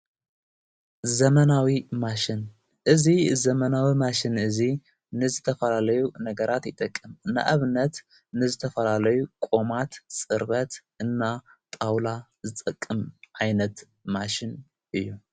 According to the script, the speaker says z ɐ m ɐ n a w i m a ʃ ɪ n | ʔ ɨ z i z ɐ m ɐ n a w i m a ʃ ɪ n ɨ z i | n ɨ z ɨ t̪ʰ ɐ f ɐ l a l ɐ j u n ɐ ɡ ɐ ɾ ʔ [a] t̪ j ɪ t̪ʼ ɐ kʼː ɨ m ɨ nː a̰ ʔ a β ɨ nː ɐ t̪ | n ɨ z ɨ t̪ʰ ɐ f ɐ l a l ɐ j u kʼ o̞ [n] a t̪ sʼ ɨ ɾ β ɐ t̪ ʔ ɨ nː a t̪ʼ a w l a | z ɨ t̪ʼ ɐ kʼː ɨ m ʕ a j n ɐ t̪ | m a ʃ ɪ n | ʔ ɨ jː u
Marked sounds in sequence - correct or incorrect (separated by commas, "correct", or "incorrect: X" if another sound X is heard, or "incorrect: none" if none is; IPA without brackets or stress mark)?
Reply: correct, incorrect: m